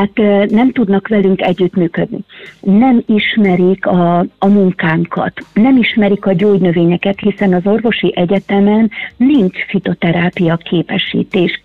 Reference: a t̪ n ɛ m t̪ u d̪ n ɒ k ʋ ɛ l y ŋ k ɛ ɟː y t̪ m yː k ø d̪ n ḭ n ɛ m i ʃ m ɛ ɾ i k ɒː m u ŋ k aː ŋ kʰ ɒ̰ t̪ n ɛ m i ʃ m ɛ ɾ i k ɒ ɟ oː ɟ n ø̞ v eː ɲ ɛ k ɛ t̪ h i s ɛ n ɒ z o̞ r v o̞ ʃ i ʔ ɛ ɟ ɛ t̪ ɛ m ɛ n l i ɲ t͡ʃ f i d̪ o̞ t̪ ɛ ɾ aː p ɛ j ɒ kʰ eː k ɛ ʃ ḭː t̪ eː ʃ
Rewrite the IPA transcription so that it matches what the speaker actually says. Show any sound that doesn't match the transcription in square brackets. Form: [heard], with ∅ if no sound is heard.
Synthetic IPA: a t̪ n ɛ m t̪ u d̪ n ɒ k ʋ ɛ l y ŋ k ɛ ɟː y t̪ m yː k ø d̪ n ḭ n ɛ m i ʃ m ɛ ɾ i k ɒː m u ŋ k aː ŋ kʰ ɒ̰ t̪ n ɛ m i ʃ m ɛ ɾ i k ɒ ɟ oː ɟ n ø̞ v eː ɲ ɛ k ɛ t̪ h i s ɛ n ɒ z o̞ r v o̞ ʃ i ʔ ɛ ɟ ɛ t̪ ɛ m ɛ n l i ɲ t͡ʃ f i [t̪] o̞ t̪ ɛ ɾ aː p [i] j ɒ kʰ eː [p] ɛ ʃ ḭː t̪ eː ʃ